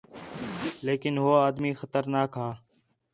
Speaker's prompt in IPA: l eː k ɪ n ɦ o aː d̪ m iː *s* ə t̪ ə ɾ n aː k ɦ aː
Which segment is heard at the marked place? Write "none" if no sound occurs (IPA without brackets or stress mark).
x